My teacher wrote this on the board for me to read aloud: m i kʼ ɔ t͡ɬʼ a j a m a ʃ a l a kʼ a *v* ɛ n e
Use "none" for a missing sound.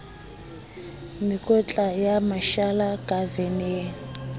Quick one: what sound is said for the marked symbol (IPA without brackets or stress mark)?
v